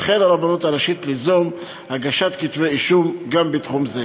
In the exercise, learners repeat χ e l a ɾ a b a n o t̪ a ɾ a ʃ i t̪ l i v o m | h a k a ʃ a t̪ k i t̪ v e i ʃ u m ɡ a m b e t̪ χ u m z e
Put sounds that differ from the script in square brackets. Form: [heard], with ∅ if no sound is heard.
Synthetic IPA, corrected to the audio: χ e l a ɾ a b a n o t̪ a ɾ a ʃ i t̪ l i [z] o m | h a [ɡ] a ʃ a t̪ k i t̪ v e i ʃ u m ɡ a m b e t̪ χ u m z e